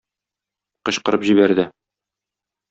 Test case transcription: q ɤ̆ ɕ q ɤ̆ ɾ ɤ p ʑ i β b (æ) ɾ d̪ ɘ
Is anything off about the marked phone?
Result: no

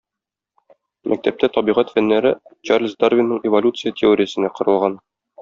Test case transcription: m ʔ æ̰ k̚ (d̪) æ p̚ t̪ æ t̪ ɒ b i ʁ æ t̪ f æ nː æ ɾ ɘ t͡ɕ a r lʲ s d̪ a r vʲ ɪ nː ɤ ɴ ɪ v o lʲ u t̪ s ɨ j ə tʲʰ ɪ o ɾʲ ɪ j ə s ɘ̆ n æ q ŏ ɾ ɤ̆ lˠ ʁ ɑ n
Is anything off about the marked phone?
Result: yes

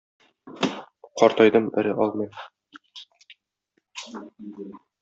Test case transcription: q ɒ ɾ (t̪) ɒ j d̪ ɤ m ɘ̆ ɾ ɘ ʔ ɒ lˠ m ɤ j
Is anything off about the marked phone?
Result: no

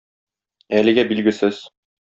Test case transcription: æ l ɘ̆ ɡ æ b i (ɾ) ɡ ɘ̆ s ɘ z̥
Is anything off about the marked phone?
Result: yes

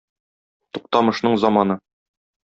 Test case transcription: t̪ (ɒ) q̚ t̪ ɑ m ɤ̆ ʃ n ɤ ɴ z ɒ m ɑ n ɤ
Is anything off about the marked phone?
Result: yes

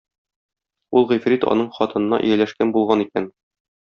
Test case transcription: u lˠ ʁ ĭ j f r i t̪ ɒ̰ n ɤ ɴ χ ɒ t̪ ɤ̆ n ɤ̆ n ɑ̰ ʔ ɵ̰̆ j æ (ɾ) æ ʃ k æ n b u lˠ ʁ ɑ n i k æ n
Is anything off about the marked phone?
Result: yes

